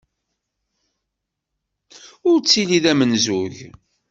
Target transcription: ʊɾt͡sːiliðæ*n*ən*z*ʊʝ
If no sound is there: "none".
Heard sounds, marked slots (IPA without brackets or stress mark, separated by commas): m, z